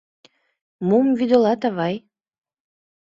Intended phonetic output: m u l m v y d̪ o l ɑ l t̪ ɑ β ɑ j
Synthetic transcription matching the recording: m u m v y d̪ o l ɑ t̪ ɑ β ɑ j